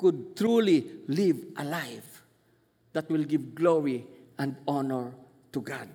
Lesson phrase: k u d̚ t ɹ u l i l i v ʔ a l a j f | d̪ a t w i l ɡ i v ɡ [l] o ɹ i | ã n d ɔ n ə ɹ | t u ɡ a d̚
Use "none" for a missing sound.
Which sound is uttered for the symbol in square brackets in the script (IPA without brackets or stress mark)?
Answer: l